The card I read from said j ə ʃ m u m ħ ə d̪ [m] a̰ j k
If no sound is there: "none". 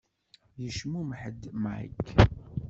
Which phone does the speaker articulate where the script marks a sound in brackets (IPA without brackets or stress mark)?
m